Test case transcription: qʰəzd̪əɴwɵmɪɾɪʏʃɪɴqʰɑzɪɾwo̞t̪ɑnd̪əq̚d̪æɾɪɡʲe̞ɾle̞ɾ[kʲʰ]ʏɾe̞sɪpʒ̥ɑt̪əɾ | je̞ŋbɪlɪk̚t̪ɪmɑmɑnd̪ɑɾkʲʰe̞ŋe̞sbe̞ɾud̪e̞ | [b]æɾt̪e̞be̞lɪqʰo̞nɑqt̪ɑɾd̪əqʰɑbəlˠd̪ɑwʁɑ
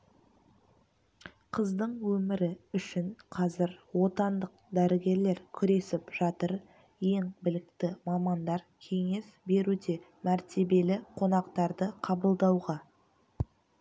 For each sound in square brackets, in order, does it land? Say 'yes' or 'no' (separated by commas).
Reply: yes, no